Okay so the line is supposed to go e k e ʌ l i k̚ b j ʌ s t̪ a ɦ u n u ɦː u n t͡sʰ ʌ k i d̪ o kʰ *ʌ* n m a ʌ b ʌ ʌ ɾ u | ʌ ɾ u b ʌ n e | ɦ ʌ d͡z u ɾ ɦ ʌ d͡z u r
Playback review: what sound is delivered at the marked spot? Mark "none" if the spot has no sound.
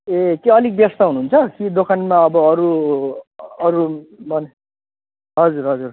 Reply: a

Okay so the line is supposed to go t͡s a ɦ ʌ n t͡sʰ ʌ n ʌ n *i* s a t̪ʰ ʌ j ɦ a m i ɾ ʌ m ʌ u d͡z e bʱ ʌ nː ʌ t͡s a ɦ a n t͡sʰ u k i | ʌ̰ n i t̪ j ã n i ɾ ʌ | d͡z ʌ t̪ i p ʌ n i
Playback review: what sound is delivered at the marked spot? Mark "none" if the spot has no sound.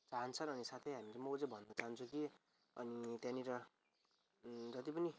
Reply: i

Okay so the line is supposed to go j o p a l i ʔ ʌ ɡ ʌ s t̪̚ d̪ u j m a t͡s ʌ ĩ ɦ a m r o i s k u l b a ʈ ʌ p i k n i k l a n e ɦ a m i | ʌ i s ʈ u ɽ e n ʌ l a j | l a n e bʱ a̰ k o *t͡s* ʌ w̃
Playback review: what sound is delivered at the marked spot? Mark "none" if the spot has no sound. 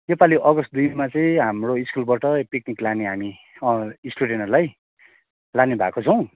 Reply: t͡sʰ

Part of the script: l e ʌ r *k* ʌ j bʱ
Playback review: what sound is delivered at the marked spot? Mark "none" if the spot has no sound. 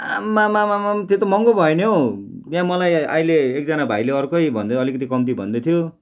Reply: k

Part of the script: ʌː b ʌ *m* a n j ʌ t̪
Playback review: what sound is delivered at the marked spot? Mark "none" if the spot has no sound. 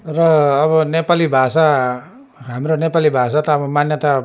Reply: m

